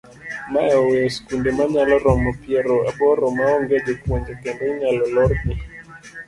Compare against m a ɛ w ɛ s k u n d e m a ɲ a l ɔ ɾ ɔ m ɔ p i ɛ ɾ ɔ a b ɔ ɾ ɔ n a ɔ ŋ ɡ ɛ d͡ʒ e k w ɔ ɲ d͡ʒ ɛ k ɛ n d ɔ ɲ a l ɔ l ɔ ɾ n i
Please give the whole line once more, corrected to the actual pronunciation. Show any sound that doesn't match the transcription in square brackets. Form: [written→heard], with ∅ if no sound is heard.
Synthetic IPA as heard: m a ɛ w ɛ s k u n d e m a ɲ a l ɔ ɾ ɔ m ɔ p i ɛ ɾ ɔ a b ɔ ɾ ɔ [n→m] a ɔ ŋ ɡ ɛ d͡ʒ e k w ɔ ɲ d͡ʒ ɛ k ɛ n d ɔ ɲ a l ɔ l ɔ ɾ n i